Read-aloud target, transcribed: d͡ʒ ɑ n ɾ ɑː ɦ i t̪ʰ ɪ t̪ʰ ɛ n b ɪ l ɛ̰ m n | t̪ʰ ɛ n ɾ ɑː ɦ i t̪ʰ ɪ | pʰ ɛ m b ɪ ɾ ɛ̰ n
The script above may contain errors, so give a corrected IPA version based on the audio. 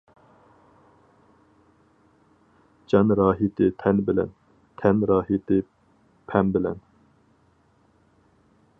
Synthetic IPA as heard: d͡ʒ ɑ n ɾ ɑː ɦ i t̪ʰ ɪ t̪ʰ ɛ n b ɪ l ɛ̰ n | t̪ʰ ɛ n ɾ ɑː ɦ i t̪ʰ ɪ | pʰ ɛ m b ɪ l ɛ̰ n